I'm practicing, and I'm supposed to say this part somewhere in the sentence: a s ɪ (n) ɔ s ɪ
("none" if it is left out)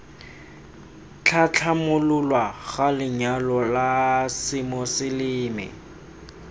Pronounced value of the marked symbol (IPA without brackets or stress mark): m